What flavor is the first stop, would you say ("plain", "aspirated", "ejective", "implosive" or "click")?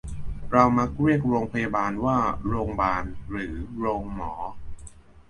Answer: plain